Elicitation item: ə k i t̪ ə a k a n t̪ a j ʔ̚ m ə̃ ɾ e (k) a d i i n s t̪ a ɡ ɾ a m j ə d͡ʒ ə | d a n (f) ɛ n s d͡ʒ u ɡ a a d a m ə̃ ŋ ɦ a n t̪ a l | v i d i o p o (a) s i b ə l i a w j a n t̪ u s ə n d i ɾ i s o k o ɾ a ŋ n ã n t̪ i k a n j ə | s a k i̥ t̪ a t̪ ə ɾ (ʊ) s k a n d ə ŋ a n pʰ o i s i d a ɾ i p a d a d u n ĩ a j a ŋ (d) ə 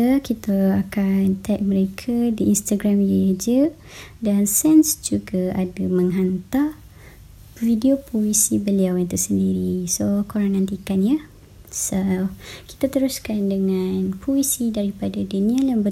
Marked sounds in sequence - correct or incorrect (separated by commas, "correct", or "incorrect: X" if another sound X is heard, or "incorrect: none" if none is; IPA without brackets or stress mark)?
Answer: incorrect: kʰ, incorrect: s, incorrect: i, incorrect: u, incorrect: b